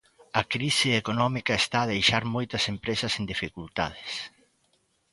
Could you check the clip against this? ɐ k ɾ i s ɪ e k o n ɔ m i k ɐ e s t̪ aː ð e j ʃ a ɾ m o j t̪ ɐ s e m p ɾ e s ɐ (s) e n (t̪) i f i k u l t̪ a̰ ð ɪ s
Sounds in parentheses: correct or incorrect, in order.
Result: correct, incorrect: d̪

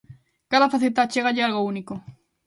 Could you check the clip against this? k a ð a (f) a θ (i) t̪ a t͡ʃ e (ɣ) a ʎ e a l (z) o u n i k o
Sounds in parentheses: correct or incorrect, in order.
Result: correct, incorrect: e, correct, incorrect: ɣ

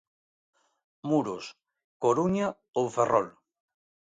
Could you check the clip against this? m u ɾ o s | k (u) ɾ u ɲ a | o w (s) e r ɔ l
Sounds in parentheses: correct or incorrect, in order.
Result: incorrect: o, incorrect: f

